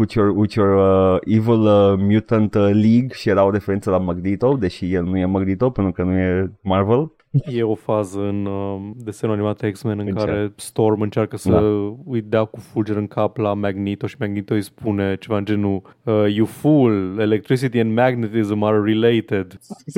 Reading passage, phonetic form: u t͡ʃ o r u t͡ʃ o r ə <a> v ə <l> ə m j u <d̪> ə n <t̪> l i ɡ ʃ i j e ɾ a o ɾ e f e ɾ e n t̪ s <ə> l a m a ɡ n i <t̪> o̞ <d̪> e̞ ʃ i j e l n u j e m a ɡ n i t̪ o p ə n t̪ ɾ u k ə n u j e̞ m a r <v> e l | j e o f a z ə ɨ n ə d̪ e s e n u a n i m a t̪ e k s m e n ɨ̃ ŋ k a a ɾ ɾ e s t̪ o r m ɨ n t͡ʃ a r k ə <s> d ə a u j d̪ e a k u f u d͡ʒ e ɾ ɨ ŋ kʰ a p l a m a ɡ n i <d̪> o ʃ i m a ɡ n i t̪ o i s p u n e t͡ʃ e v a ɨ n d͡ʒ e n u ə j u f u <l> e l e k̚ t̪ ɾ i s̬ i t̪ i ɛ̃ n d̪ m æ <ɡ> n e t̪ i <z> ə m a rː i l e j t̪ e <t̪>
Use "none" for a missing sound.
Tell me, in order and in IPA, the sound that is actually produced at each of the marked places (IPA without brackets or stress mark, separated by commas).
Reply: i, l, t̪, t̪, ə, t̪, d̪, v, s, t̪, l, ɡ, z, d̪